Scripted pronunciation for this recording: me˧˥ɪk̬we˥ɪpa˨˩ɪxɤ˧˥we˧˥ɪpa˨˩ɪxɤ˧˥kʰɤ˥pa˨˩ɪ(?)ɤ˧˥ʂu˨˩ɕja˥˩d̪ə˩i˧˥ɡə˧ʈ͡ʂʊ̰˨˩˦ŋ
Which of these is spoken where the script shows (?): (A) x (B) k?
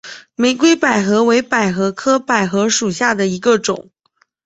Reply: A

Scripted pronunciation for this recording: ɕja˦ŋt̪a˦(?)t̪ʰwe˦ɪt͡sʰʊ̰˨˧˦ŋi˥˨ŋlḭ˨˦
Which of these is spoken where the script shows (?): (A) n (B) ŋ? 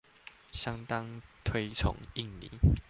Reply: B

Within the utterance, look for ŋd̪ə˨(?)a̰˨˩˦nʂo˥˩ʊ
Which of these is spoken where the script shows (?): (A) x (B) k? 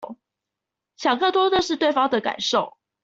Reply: B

